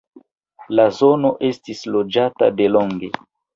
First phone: l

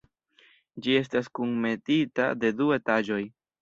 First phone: d͡ʒ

